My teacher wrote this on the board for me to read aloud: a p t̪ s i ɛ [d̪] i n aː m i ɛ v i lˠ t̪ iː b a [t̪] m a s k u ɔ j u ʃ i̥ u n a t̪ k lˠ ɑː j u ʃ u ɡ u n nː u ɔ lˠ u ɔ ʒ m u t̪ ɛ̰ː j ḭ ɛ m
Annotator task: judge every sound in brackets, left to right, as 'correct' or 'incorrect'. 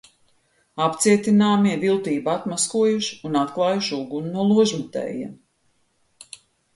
incorrect: t̪, correct

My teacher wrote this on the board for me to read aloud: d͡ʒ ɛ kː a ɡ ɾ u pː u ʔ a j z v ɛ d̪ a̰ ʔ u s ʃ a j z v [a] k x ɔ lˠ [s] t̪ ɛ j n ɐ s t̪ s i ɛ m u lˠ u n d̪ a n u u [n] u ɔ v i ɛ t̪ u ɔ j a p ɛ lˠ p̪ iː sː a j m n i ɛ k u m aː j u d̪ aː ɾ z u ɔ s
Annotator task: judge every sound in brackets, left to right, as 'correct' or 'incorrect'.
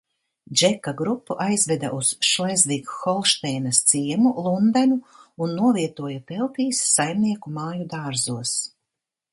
incorrect: i, incorrect: ʃ, incorrect: nː

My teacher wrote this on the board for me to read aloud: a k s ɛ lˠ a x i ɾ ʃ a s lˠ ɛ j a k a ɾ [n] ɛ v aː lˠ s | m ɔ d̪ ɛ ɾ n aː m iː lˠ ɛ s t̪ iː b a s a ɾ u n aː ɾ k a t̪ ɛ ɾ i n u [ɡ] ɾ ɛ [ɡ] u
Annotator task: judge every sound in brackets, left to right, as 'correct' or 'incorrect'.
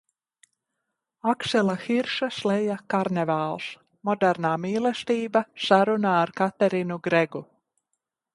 correct, correct, correct

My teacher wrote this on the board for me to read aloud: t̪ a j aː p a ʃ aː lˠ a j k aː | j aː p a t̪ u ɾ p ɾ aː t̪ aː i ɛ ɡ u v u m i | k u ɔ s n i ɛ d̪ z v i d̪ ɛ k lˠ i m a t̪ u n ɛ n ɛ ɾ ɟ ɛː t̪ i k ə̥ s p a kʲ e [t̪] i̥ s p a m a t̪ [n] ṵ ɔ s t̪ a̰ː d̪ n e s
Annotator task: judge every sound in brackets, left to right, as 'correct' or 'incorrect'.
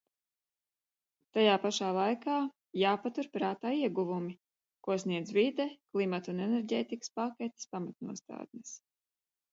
correct, correct

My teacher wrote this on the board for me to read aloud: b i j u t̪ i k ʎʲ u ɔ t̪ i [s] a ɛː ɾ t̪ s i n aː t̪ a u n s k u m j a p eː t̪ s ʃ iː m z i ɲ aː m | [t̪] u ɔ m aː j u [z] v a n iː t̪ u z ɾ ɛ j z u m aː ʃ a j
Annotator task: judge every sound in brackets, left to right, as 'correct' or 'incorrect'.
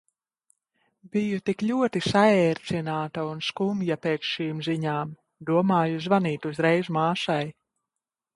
correct, incorrect: d̪, correct

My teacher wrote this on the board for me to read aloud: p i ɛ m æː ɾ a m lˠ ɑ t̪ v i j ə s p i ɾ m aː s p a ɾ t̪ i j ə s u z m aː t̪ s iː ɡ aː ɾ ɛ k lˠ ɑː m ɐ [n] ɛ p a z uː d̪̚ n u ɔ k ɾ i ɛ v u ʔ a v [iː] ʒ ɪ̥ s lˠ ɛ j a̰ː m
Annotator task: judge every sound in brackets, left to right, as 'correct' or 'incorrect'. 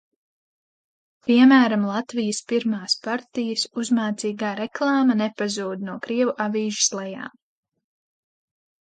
correct, correct

